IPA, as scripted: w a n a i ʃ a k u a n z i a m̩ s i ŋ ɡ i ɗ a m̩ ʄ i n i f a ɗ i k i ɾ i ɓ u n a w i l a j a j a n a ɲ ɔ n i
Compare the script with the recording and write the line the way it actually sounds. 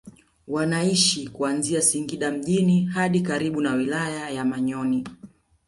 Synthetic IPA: w a n a i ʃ i k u a n z i a s i ŋ ɡ i ɗ a m̩ ʄ i n i h a ɗ i k a ɾ i ɓ u n a w i l a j a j a m a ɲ ɔ n i